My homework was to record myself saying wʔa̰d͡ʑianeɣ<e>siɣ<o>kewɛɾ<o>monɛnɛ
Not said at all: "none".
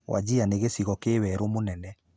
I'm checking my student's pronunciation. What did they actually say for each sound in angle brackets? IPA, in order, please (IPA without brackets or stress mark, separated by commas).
e, ɔ, o